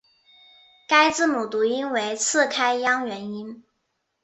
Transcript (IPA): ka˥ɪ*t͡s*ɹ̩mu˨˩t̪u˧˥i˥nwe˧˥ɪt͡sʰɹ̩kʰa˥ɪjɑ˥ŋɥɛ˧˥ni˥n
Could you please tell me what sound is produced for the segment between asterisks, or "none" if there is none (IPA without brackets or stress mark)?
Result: t͡s